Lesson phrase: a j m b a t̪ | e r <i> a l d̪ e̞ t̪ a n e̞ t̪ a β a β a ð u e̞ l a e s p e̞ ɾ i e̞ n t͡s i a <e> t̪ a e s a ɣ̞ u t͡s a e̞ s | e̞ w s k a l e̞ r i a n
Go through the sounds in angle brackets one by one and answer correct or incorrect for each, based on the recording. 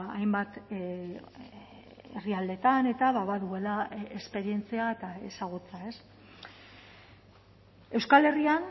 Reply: correct, correct

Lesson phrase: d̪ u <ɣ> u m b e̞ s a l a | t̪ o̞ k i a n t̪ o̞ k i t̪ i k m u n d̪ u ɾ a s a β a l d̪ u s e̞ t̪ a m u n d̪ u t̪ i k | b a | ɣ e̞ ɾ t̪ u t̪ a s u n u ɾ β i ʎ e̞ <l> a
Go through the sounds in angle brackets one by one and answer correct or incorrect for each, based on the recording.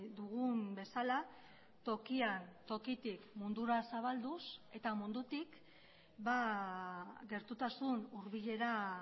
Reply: correct, incorrect

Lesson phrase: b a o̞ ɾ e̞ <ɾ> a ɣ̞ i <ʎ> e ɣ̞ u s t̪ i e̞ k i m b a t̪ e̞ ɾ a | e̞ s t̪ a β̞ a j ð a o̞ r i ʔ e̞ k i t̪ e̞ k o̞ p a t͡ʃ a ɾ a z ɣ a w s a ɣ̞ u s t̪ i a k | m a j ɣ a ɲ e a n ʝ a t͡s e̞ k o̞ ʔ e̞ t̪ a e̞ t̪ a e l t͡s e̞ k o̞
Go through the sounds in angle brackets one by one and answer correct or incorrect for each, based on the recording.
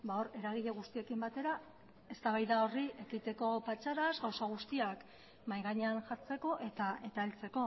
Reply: correct, correct

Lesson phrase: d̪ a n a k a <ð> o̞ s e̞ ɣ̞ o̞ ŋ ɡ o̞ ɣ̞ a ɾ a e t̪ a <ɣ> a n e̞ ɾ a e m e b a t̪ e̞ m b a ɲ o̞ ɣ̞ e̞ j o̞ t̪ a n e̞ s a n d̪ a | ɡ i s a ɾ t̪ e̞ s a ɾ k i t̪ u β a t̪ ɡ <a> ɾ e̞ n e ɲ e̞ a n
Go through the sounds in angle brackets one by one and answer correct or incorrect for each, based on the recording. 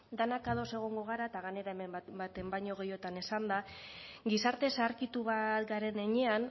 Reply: correct, correct, correct

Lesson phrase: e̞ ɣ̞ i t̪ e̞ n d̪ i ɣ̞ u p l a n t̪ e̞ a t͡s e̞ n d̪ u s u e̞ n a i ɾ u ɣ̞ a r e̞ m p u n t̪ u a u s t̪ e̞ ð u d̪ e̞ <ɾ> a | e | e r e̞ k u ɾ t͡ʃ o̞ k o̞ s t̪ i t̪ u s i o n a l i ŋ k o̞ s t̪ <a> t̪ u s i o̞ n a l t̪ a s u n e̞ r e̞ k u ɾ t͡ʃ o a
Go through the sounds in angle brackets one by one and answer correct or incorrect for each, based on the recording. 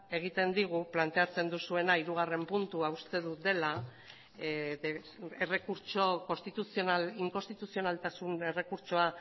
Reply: incorrect, incorrect

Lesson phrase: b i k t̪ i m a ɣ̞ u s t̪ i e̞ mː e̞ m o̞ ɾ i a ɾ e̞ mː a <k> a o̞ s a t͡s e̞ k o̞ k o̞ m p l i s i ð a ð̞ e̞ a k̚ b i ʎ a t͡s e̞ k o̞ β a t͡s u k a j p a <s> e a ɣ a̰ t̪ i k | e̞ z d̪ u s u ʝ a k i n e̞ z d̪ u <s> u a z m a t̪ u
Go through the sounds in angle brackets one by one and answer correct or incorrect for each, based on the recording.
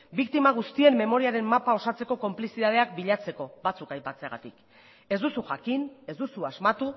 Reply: incorrect, incorrect, correct

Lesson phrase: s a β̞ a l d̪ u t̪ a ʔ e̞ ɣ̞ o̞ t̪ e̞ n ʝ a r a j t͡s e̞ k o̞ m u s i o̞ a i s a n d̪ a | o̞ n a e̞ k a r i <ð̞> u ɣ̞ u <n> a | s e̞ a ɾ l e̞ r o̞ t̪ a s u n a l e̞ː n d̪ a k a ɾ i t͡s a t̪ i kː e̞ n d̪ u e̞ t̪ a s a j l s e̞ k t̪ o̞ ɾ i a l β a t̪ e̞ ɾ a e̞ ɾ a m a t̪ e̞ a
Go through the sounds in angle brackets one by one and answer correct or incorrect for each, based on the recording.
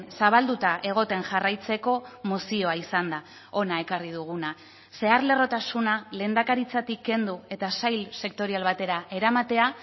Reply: correct, correct

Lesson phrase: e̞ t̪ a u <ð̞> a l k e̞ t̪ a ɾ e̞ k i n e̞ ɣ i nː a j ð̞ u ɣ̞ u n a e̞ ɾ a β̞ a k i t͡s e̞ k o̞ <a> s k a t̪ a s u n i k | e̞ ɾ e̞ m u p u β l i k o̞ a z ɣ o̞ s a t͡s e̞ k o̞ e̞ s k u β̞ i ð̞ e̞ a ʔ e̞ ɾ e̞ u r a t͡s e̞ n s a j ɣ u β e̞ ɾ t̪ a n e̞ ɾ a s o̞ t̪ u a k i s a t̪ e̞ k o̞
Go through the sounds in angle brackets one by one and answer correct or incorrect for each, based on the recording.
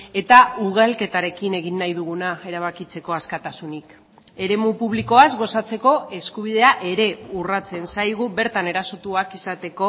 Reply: incorrect, correct

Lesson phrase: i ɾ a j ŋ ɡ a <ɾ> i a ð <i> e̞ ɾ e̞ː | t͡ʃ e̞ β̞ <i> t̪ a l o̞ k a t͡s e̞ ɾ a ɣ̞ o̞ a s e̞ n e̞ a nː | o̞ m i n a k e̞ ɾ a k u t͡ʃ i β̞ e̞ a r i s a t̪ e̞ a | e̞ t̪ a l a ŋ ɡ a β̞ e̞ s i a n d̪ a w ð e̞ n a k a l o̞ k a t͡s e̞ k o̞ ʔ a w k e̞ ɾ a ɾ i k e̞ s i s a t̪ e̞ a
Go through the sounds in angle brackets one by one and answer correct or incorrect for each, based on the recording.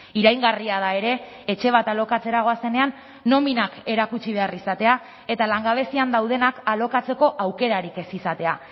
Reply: incorrect, incorrect, incorrect

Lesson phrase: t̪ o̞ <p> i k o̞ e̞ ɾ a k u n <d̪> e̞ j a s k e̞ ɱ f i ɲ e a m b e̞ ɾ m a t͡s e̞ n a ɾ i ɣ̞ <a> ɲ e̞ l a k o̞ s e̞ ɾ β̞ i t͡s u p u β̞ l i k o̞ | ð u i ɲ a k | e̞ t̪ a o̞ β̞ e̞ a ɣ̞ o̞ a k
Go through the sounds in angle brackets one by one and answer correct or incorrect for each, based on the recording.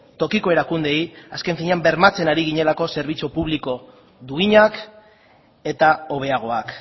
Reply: incorrect, correct, incorrect

